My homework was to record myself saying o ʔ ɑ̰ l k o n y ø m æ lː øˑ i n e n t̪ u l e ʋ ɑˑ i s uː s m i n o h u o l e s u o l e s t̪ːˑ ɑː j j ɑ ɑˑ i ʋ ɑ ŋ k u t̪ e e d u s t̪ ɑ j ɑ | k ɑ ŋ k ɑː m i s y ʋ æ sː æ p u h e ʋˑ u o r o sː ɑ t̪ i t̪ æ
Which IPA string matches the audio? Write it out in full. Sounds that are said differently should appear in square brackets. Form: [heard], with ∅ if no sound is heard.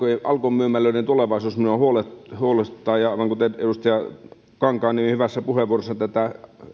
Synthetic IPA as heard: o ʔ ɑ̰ l k o [m] y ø m æ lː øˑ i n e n t̪ u l e ʋ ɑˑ i s uː s m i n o h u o l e [h] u o l e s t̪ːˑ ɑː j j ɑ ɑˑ i ʋ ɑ ŋ k u t̪ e e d u s t̪ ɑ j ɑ | k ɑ ŋ k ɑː [n] i [h] y ʋ æ sː æ p u h e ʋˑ u o r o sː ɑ t̪ [æ] t̪ æ